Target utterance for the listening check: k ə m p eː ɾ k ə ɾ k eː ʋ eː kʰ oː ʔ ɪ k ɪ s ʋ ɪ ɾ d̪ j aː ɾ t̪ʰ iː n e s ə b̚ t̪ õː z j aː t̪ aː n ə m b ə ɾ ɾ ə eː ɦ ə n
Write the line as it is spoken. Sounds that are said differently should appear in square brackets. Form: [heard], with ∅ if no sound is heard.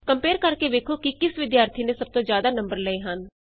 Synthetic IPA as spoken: k ə m p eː ɾ k ə ɾ k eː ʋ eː kʰ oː [k] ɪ k ɪ s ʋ ɪ [∅] d̪ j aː ɾ t̪ʰ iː n e s ə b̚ t̪ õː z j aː [d̪] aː n ə m b ə ɾ [l] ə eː ɦ ə n

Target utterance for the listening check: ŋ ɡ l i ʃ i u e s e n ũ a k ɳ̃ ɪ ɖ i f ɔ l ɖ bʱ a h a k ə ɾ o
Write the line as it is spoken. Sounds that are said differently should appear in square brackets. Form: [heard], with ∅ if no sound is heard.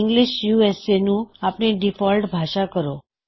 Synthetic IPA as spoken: ŋ ɡ l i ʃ [j] u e s e n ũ a [p] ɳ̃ [i] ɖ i f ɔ l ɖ bʱ a [ʃ] a k ə ɾ o

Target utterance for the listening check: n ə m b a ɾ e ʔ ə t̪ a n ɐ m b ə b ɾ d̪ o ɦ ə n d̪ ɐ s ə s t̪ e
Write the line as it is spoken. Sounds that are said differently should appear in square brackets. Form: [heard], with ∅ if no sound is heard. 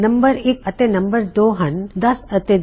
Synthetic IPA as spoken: n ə m b [ə] ɾ e [k] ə t̪ [e] n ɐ m b ə [∅] ɾ d̪ o ɦ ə n d̪ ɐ s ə [∅] t̪ e

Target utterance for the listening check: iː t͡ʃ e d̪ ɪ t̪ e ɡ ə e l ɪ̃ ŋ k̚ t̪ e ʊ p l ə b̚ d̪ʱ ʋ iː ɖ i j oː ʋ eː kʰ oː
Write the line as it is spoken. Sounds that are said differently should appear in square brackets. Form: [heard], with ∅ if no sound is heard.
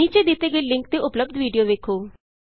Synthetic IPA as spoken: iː t͡ʃ e d̪ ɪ t̪ e ɡ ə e l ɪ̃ ŋ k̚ t̪ e ʊ p l ə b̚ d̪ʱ ʋ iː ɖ i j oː ʋ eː kʰ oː

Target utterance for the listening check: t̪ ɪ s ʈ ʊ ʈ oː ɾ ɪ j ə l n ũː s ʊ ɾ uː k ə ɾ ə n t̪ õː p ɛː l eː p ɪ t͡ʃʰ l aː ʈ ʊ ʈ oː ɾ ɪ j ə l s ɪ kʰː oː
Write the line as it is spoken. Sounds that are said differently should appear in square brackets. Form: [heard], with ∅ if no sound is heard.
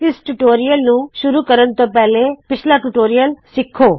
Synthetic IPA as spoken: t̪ ɪ s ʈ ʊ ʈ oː ɾ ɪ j ə l n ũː [ʃ] ʊ ɾ uː k ə ɾ ə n t̪ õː p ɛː l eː p ɪ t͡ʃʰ l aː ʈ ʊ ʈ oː ɾ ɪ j ə l s ɪ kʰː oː

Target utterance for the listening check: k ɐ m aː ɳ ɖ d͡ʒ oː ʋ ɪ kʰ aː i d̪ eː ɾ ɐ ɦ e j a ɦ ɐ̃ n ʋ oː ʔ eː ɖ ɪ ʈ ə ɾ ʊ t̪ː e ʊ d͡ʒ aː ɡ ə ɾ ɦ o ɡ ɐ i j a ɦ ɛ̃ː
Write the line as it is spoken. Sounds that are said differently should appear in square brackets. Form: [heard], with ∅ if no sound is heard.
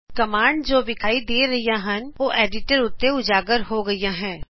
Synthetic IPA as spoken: k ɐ m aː ɳ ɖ d͡ʒ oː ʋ ɪ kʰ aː i d̪ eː ɾ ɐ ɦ [i] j a ɦ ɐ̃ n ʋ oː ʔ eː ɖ ɪ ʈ ə ɾ ʊ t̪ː e ʊ d͡ʒ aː ɡ ə ɾ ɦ o ɡ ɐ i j a ɦ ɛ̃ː

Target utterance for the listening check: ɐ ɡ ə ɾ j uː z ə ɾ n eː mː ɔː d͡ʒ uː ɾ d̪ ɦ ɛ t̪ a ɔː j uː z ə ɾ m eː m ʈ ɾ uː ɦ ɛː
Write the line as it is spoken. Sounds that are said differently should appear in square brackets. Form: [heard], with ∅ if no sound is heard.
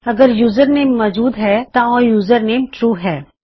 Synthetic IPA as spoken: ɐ ɡ ə ɾ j uː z ə ɾ n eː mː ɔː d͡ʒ uː [∅] d̪ ɦ ɛ t̪ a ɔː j uː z ə ɾ [n] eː m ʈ ɾ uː ɦ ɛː

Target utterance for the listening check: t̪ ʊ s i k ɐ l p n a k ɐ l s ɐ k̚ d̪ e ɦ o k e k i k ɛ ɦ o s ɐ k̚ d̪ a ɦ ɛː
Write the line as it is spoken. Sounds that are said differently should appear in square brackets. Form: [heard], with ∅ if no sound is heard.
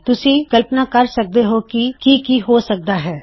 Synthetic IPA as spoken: t̪ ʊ s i k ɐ l p n a k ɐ [ɾ] s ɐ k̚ d̪ e ɦ o k [i] k i k [i] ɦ o s ɐ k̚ d̪ a ɦ ɛː

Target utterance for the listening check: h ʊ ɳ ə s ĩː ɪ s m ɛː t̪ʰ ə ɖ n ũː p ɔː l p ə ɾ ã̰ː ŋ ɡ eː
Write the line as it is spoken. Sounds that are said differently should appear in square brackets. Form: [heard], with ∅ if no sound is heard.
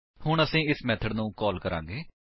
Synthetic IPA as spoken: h ʊ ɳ ə s ĩː ɪ s m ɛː t̪ʰ ə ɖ n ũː [k] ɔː l [k] ə ɾ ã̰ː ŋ ɡ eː

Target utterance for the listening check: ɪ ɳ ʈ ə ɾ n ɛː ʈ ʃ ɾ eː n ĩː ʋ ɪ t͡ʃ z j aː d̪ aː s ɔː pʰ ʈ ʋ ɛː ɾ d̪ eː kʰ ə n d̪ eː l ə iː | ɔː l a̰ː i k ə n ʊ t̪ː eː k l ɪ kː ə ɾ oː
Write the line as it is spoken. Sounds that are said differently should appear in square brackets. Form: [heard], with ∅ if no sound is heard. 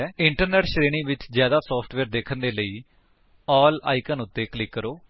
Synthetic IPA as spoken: ɪ ɳ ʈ ə ɾ n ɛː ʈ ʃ ɾ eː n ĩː ʋ ɪ t͡ʃ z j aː d̪ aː s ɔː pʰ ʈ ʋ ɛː ɾ d̪ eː kʰ ə n d̪ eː l ə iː | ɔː l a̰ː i k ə n ʊ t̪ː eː k l ɪ kː ə ɾ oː

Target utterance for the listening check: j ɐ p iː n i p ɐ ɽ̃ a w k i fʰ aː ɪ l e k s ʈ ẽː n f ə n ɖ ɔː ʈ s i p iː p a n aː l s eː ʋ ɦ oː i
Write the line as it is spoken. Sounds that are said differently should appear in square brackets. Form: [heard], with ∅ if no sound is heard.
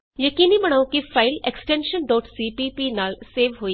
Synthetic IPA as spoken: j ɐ [k] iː n i [b] ɐ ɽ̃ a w k i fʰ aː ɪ l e k s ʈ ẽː n [ʃ] ə n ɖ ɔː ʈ s i p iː p [i] n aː l s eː ʋ ɦ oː i

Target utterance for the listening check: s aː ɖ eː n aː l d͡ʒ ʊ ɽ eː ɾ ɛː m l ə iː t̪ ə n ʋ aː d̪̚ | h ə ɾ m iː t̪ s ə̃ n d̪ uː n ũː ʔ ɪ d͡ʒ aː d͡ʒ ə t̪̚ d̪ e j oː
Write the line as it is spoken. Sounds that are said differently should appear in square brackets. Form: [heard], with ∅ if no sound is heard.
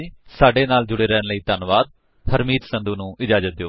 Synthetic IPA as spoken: s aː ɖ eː n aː l d͡ʒ ʊ ɽ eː ɾ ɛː [n] l ə iː t̪ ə n ʋ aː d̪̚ | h ə ɾ m iː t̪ s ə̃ n d̪ uː n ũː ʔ ɪ d͡ʒ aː d͡ʒ ə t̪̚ d̪ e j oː

